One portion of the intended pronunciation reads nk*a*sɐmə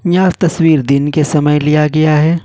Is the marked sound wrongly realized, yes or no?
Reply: yes